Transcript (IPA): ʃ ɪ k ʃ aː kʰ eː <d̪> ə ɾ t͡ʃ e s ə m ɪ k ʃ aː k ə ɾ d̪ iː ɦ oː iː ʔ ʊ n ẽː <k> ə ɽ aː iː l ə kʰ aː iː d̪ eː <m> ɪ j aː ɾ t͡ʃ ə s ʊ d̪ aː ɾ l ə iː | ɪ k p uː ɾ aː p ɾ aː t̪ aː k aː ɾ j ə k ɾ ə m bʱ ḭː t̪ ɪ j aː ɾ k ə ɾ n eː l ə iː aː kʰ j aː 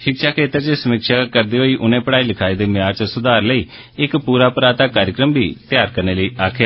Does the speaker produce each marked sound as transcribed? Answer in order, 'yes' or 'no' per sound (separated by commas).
no, no, yes